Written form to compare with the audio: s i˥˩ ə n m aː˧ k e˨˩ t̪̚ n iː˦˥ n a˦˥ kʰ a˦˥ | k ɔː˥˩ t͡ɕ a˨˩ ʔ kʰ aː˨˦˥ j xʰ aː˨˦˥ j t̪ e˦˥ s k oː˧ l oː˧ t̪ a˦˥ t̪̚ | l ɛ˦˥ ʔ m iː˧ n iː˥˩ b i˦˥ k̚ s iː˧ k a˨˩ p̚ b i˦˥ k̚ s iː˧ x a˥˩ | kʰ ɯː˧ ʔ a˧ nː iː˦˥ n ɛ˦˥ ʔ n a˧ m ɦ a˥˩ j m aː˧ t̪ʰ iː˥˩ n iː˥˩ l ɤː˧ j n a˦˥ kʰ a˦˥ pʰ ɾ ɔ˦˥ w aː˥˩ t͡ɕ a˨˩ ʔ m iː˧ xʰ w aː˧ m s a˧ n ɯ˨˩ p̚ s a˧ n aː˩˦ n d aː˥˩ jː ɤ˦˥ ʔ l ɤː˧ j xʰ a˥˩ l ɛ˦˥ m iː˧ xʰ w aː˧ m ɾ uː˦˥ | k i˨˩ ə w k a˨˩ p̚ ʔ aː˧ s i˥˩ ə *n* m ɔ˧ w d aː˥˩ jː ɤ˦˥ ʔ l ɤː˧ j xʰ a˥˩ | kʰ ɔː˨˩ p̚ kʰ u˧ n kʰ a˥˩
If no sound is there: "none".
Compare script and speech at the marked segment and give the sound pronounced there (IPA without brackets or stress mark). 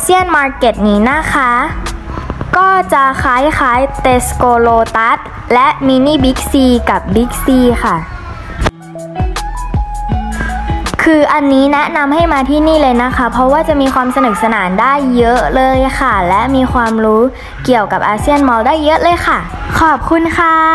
n